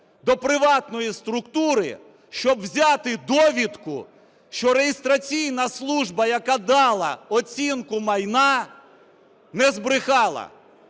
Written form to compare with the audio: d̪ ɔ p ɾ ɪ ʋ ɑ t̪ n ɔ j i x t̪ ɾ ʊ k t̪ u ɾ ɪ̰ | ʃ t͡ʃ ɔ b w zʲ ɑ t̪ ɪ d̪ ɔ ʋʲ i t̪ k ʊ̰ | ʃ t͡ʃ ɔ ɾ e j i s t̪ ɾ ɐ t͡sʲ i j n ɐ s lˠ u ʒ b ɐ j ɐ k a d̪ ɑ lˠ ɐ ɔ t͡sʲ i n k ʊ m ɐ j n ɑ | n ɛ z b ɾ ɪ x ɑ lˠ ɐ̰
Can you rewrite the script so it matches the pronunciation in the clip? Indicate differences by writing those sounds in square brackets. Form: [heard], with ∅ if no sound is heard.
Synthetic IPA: d̪ ɔ p ɾ ɪ ʋ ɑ t̪ n ɔ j i [s] t̪ ɾ ʊ k t̪ u ɾ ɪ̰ | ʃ t͡ʃ ɔ b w zʲ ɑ t̪ ɪ d̪ ɔ ʋʲ i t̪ k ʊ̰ | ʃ t͡ʃ ɔ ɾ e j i s t̪ ɾ ɐ t͡sʲ i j n ɐ s lˠ u ʒ b ɐ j ɐ k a d̪ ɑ lˠ ɐ ɔ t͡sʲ i n k ʊ m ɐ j n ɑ | n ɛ z b ɾ ɪ x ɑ lˠ ɐ̰